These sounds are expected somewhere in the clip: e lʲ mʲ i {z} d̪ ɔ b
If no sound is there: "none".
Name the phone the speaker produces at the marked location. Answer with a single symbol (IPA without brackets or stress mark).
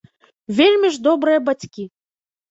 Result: ʐ